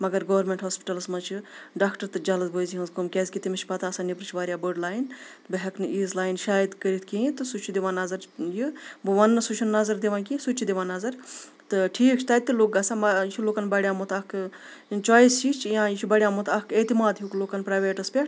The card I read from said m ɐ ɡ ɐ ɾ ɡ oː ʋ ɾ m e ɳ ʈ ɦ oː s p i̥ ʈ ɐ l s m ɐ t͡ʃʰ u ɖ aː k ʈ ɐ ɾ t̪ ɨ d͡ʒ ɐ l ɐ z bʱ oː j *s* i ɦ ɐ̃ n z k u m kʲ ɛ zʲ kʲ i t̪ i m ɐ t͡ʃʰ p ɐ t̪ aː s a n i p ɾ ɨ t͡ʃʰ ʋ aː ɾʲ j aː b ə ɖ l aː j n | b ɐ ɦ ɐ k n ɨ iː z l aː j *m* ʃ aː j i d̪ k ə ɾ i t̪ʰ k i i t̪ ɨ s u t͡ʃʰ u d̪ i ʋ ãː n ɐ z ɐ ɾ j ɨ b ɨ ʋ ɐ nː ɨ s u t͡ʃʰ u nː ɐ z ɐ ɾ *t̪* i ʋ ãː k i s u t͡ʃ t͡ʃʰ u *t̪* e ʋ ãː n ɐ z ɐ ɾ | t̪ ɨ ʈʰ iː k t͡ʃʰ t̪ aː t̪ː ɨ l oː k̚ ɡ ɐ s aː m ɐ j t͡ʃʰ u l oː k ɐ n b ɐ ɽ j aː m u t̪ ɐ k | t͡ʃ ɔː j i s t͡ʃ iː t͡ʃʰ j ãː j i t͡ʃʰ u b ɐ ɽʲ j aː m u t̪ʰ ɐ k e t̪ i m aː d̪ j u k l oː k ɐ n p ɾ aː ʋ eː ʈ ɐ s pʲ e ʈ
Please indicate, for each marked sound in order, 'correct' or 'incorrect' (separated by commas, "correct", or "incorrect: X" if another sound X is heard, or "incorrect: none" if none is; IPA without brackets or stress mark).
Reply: incorrect: z, incorrect: n, incorrect: d̪, incorrect: d̪